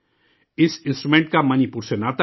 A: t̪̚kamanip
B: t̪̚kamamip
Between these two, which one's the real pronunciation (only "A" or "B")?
A